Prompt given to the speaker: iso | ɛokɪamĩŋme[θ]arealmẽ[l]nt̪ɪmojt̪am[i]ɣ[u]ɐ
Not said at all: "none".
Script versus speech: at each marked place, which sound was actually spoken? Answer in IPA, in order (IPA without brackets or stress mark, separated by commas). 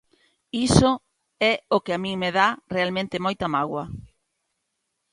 ð, none, a, w